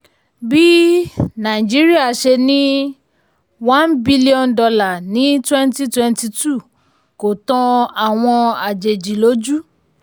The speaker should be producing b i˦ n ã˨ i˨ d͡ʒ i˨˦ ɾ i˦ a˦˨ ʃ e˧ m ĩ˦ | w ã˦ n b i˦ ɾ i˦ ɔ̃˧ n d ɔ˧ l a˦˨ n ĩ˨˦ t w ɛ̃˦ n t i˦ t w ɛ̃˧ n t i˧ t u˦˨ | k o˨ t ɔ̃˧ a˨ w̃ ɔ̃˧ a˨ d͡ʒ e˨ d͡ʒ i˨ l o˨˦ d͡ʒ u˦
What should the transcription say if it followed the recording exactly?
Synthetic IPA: b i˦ n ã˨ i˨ d͡ʒ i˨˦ ɾ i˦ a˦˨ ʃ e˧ n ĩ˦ | w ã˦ n b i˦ l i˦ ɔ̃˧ n d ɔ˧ l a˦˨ n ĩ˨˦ t w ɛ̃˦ n t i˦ t w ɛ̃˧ n t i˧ t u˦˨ | k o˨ t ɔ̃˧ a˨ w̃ ɔ̃˧ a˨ d͡ʒ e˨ d͡ʒ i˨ l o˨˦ d͡ʒ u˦